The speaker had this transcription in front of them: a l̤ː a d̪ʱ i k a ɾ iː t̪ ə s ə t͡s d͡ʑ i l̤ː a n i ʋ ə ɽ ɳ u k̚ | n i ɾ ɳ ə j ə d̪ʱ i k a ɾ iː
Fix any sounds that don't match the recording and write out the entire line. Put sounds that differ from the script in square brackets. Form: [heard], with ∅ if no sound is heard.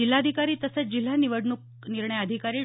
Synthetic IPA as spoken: [i] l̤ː a d̪ʱ i k a ɾ iː t̪ ə s ə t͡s d͡ʑ i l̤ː a n i ʋ ə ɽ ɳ u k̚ | n i ɾ ɳ ə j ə d̪ʱ i k a ɾ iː